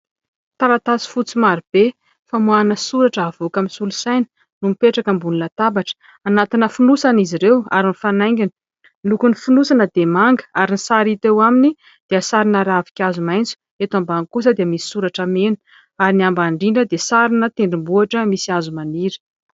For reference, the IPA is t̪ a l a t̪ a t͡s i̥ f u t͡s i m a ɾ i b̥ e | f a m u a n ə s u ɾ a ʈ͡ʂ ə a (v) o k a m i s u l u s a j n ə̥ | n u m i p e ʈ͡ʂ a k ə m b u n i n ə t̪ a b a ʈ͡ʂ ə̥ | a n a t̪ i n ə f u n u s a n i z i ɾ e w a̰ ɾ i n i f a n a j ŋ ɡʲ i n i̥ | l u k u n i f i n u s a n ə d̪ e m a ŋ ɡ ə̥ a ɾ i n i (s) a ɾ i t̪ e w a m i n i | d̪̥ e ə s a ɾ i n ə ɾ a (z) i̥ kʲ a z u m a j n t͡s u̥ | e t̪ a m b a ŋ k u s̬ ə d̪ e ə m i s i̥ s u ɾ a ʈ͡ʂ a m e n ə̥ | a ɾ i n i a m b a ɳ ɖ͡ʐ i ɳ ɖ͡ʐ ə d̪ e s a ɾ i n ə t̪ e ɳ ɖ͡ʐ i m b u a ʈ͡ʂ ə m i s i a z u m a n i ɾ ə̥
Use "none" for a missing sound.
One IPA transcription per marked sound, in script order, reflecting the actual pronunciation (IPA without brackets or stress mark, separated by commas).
v, s, v